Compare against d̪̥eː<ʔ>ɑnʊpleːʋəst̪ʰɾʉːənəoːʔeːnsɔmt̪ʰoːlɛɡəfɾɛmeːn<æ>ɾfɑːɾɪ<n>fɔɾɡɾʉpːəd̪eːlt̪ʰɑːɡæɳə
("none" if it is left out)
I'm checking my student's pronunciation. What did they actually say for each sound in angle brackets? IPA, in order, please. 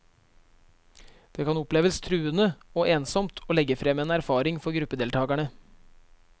k, æ, ŋ

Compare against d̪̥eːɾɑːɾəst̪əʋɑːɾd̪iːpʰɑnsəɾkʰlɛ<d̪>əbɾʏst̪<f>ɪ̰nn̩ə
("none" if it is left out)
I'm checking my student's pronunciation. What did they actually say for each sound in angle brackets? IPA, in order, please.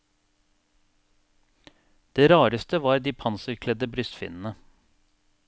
d̪, f

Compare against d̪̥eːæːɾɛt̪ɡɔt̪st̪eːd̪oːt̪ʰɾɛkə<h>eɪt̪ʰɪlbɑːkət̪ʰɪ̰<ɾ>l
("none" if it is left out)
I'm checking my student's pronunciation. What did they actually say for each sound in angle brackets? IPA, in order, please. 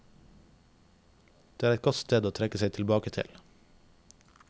s, none

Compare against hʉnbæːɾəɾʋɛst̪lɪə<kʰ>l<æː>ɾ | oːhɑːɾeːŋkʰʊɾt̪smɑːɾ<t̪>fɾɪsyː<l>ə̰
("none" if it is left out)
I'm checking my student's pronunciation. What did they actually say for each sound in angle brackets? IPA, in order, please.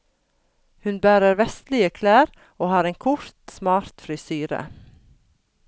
kʰ, æː, t̪, ɾ

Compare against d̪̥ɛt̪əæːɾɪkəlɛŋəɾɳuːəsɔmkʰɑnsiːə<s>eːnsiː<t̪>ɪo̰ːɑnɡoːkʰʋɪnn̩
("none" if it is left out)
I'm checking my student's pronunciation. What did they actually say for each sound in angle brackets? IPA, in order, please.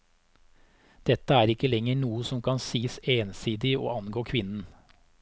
s, d̪

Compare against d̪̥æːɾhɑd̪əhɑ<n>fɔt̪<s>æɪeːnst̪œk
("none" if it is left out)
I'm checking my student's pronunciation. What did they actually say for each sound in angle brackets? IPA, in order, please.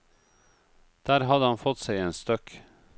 n, s

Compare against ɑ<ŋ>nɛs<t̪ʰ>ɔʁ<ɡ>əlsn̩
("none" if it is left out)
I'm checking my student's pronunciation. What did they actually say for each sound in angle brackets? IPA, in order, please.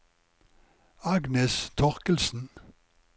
ɡ, t̪ʰ, k

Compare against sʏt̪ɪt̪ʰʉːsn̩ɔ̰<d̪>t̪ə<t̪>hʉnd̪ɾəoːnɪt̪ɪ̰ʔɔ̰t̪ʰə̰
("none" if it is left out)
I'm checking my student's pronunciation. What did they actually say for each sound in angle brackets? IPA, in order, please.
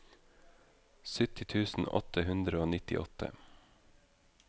none, none

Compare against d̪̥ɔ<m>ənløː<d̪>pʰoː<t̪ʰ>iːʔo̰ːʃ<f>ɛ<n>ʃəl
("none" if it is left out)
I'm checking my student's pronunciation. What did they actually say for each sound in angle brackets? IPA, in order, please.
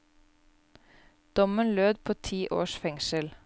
m, d̪, t̪ʰ, f, ŋ

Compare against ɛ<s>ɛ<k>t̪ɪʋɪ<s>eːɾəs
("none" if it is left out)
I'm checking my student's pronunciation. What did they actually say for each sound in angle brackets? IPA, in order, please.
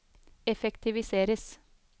f, k, s

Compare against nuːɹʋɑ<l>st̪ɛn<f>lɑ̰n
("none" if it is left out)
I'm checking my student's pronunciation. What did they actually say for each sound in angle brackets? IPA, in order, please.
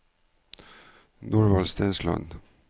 l, s

